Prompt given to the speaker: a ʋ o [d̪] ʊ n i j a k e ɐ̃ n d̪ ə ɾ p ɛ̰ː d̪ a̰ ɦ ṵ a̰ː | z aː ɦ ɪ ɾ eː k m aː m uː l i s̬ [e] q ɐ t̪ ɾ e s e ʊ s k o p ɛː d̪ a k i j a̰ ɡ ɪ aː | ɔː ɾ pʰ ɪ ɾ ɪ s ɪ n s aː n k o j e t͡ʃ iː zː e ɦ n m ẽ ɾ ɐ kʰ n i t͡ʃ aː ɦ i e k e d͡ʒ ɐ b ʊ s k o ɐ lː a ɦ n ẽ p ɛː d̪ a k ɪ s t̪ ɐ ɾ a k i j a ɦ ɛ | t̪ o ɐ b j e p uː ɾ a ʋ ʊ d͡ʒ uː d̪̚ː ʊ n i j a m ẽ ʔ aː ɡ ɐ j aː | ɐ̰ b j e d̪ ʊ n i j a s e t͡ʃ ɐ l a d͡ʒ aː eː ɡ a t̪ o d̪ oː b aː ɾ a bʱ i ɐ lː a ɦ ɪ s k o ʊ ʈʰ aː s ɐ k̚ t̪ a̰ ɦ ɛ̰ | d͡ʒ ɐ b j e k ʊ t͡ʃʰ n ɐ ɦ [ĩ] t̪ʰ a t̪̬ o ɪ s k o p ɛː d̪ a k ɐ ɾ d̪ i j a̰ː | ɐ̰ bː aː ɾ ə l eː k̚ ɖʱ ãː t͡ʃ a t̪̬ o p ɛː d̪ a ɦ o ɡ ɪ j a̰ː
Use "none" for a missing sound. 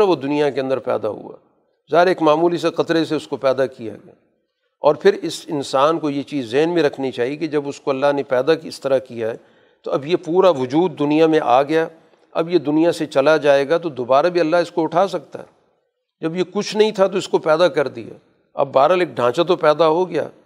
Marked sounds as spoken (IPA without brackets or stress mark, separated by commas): d̪, e, ĩ